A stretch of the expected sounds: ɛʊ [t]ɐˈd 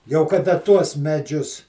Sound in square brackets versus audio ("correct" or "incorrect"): incorrect